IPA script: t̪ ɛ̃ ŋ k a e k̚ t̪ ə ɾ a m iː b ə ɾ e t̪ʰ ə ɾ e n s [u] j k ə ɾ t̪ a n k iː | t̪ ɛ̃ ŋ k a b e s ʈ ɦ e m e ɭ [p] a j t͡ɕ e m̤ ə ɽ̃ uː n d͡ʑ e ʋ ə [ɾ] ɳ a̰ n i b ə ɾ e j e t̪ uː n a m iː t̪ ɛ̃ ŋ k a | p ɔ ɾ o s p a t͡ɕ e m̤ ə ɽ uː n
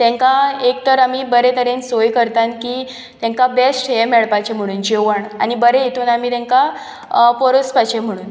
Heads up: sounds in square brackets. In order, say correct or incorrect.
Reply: incorrect, correct, incorrect

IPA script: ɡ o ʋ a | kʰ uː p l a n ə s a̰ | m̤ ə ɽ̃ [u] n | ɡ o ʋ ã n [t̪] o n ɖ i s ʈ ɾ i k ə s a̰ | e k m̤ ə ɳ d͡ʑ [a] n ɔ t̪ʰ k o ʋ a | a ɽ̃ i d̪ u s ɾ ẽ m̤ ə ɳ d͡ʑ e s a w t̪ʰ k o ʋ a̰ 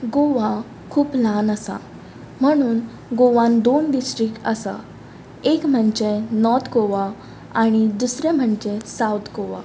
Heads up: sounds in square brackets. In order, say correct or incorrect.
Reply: incorrect, incorrect, incorrect

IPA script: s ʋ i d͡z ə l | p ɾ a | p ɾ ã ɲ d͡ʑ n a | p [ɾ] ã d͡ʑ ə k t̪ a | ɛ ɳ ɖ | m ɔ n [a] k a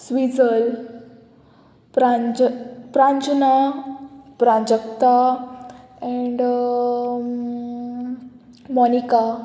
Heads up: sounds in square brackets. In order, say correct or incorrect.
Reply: correct, incorrect

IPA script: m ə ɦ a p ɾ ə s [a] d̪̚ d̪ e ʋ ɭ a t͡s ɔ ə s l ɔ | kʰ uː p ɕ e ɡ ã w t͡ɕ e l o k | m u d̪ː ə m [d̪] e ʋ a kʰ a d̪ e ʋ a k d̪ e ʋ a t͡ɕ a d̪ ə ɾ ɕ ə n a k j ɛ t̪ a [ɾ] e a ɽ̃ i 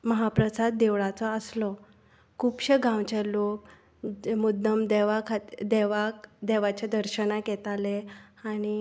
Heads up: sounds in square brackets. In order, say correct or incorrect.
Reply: correct, correct, incorrect

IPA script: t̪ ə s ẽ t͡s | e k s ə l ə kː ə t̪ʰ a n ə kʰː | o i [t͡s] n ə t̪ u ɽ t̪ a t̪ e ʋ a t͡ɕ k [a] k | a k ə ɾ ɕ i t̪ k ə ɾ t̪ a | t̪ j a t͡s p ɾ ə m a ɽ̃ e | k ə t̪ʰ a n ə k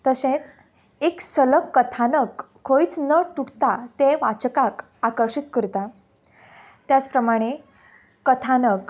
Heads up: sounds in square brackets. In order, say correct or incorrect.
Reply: correct, correct

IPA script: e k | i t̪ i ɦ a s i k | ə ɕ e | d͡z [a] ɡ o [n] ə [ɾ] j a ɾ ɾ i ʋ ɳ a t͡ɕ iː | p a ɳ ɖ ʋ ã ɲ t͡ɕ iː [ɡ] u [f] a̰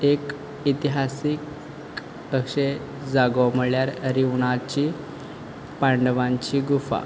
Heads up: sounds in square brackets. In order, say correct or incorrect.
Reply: correct, incorrect, incorrect, correct, correct

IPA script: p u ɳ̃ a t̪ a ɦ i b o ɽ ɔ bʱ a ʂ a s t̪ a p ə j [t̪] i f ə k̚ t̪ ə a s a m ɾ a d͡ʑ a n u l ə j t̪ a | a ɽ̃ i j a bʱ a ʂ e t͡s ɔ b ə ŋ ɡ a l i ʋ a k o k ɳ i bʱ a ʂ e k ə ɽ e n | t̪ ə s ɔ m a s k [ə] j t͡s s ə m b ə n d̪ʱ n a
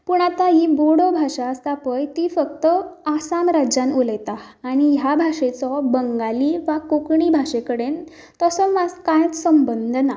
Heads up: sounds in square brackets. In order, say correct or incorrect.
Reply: correct, incorrect

